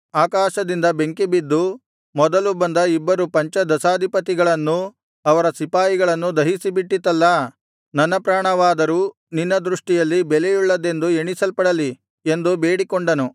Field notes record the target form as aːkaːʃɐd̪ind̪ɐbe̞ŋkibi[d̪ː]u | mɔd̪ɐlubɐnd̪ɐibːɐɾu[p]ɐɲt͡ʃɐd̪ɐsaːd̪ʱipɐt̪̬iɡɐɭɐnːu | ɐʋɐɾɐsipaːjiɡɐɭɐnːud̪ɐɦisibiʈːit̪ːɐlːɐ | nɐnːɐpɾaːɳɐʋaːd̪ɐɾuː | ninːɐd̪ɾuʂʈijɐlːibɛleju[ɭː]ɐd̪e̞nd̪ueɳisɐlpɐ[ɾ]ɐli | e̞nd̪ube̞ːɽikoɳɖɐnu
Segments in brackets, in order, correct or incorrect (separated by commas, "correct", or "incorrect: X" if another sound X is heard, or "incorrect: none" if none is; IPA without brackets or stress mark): correct, correct, correct, incorrect: ɽ